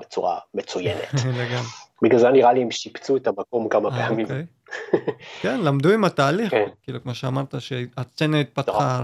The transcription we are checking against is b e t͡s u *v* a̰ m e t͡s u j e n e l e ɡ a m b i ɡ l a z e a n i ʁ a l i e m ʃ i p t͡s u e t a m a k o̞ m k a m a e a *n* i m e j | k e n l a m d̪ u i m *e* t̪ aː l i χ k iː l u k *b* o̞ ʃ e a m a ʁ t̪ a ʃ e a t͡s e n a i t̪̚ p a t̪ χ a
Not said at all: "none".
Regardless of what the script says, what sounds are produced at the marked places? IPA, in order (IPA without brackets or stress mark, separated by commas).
ʁ, m, a, m